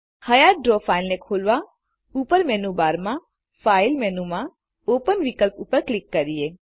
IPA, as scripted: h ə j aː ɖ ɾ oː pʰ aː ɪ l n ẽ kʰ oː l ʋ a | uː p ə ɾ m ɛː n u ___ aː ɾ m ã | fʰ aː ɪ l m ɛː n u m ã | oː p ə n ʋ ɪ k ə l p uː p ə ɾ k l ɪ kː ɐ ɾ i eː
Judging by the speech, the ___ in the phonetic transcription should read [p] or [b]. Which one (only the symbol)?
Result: b